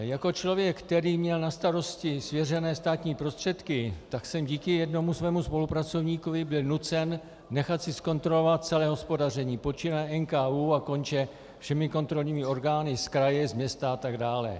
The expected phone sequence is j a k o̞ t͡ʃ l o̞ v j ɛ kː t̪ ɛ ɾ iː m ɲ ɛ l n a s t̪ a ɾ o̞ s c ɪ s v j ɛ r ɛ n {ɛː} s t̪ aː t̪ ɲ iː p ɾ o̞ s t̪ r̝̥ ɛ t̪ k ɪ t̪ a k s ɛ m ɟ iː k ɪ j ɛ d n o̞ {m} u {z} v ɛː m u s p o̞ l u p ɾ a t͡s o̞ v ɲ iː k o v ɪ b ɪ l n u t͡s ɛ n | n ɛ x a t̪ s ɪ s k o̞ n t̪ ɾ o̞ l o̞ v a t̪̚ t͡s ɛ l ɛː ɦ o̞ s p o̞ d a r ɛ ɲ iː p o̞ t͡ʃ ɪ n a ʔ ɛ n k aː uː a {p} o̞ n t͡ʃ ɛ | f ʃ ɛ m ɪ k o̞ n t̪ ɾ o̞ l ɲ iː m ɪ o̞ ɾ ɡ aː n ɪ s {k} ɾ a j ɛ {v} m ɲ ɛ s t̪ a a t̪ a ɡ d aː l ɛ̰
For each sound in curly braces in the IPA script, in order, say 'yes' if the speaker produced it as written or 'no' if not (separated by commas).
yes, yes, no, no, yes, no